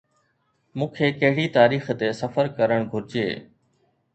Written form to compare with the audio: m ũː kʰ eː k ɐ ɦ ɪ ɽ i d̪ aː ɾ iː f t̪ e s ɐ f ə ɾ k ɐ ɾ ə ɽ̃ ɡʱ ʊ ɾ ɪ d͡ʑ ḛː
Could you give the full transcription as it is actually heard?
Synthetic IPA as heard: m ũː kʰ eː k ɐ ɦ ɪ ɽ i t̪ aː ɾ iː x t̪ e s ɐ f ə ɾ k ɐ ɾ ə ɽ̃ ɡʱ ʊ ɾ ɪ d͡ʑ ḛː